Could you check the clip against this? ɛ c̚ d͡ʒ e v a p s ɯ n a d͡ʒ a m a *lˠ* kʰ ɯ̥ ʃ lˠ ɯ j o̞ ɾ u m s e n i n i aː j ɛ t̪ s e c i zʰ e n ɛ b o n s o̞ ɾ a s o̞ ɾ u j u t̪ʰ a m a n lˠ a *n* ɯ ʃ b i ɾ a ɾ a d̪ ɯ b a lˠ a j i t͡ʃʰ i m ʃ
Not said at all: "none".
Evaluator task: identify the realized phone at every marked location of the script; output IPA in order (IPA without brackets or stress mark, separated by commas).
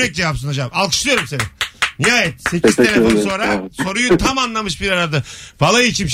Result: lˠ, m